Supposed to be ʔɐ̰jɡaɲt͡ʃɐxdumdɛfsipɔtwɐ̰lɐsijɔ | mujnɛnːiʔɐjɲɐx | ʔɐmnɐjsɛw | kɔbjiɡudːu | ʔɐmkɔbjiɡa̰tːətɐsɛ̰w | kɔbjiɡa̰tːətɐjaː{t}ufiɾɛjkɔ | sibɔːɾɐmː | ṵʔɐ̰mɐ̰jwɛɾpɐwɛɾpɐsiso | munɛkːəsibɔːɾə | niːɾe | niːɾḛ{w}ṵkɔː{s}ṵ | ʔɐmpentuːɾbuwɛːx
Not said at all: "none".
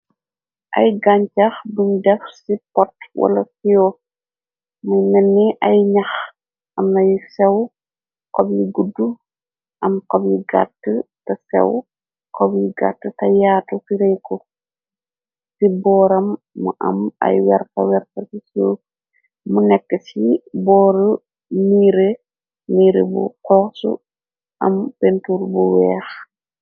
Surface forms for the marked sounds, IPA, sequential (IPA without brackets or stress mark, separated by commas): t, b, s